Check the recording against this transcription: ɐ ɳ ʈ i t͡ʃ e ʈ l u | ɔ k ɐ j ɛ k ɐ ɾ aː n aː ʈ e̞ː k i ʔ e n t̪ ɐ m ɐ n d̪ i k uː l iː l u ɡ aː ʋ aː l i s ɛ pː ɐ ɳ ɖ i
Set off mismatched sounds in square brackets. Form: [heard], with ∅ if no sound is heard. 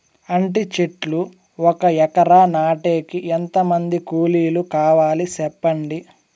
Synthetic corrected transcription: ɐ ɳ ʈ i t͡ʃ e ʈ l u | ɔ k ɐ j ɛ k ɐ ɾ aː n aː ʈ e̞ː k i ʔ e n t̪ ɐ m ɐ n d̪ i k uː l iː l u [k] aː ʋ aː l i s ɛ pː ɐ ɳ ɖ i